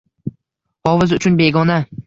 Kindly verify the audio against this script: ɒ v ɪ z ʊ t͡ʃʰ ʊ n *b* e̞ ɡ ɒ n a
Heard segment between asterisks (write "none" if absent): b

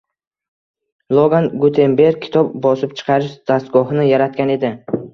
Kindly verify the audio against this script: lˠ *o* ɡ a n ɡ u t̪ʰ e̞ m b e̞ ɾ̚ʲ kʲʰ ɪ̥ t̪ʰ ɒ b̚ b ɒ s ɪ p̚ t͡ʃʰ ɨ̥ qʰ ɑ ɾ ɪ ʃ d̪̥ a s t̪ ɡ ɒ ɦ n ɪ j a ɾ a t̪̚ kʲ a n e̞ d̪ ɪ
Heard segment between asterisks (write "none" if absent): o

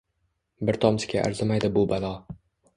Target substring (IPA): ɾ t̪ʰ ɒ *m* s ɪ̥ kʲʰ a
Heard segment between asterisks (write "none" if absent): m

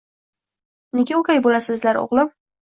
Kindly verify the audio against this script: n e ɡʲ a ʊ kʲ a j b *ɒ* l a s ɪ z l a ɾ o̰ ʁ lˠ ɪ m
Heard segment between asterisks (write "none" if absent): o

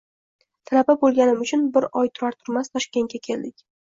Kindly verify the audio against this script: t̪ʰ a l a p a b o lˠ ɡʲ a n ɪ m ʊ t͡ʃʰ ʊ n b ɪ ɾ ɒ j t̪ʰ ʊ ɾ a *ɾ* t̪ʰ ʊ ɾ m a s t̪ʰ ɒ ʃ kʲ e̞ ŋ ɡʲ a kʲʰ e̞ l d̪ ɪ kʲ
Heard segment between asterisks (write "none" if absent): ɾ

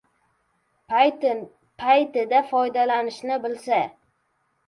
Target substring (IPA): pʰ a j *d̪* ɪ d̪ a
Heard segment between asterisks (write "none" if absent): t̪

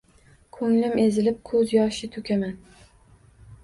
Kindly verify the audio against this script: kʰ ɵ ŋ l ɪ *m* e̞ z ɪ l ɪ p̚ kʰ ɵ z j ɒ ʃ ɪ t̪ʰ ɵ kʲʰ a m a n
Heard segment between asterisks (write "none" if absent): m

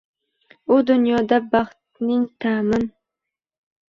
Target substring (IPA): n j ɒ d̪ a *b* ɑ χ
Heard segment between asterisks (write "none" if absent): b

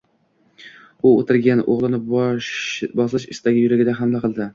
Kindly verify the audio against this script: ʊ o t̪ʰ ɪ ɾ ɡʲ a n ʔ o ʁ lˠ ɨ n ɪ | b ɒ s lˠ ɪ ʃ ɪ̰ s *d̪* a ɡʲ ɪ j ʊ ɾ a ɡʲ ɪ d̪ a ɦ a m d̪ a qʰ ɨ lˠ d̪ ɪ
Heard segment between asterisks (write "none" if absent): t̪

